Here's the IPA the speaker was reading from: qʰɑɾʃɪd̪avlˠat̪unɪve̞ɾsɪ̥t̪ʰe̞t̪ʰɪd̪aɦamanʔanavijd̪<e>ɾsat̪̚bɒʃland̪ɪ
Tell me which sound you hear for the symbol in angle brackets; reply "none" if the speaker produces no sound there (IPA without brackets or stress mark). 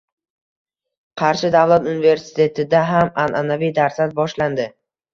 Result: a